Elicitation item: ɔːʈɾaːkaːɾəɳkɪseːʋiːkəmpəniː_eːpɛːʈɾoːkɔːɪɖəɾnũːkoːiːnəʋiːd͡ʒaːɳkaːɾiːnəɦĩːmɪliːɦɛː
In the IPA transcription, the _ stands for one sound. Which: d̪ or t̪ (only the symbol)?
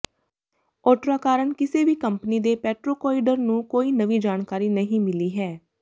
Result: d̪